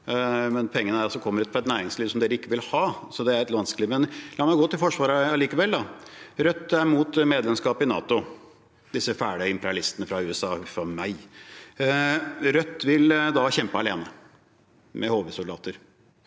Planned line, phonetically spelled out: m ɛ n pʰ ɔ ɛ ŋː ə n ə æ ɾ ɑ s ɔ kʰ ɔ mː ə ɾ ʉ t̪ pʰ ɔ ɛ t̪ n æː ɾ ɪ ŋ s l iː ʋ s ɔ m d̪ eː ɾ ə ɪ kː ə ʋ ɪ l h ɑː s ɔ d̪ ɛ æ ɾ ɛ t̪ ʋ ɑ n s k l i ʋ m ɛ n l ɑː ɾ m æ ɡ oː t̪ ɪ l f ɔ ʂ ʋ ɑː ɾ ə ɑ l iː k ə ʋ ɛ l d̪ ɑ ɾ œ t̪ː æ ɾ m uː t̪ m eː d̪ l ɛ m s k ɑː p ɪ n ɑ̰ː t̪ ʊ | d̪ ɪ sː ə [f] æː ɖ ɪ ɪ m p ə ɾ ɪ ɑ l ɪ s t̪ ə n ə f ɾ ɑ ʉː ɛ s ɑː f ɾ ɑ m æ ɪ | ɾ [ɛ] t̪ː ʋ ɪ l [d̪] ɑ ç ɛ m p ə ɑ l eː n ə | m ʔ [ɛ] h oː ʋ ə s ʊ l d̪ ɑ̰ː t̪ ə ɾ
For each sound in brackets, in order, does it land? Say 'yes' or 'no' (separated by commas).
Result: yes, no, yes, yes